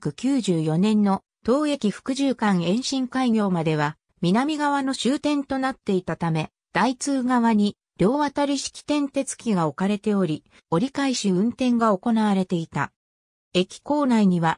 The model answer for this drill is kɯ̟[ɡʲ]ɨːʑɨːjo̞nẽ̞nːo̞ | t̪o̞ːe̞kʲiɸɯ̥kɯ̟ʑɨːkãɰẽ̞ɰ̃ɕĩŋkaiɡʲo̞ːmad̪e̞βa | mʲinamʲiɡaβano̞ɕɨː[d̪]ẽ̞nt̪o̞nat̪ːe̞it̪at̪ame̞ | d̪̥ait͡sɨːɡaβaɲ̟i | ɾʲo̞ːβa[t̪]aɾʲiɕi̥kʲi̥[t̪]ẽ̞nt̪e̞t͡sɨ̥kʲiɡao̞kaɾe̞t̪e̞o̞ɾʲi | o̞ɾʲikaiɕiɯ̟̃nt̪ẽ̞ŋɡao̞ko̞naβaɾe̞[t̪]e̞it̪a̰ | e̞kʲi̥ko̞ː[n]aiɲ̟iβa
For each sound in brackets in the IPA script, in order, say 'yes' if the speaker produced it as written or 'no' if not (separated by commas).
no, no, yes, yes, yes, yes